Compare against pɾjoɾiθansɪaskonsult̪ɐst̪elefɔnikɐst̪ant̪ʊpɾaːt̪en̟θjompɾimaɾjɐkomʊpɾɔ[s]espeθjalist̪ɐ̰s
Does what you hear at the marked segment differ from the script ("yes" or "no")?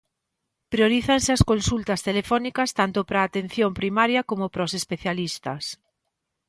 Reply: no